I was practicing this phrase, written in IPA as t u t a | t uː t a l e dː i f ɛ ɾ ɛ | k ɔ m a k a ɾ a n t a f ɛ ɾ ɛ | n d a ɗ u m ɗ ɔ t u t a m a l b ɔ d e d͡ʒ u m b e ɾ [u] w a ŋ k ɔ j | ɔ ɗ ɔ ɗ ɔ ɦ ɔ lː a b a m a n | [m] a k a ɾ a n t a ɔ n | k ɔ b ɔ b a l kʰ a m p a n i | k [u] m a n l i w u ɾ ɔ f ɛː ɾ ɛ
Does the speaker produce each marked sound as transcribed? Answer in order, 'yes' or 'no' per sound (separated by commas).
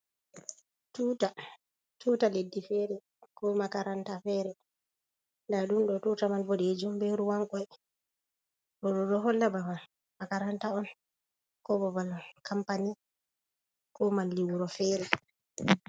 yes, yes, no